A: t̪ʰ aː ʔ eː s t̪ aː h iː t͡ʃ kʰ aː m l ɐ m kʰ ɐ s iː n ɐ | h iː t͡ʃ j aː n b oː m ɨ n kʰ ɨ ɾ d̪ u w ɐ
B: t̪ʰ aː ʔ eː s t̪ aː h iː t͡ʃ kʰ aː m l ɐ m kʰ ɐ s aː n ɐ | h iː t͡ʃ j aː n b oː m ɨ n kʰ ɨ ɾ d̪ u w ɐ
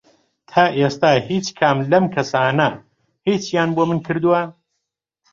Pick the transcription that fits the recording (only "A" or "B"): B